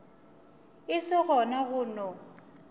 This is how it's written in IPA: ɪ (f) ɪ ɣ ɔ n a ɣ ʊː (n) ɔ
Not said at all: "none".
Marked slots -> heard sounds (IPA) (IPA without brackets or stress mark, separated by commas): s, n